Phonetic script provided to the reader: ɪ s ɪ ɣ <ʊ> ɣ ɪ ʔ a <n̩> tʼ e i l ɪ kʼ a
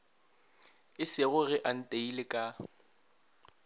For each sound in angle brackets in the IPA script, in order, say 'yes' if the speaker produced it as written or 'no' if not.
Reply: yes, yes

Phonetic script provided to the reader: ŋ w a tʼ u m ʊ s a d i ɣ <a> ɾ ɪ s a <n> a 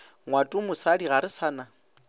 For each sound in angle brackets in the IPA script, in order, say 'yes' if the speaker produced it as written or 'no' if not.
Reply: yes, yes

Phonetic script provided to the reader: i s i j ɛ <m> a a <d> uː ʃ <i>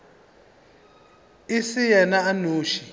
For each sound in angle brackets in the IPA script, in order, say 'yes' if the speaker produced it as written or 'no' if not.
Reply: no, no, yes

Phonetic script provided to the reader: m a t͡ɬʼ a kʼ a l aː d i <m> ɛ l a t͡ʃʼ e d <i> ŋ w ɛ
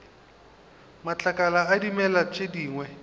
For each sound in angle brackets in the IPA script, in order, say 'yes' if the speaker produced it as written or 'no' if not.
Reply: yes, no

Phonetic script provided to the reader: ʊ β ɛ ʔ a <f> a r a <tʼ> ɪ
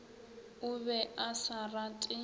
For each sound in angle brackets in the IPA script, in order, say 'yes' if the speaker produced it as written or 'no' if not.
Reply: no, yes

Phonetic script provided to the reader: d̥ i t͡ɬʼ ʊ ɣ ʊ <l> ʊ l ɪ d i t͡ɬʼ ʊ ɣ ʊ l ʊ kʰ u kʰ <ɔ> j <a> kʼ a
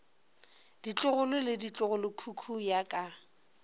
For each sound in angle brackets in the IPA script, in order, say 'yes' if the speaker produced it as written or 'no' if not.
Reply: yes, no, yes

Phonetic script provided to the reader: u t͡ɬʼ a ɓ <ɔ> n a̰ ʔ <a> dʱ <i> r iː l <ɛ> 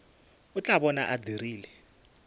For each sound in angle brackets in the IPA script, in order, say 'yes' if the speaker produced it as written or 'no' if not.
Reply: yes, yes, yes, yes

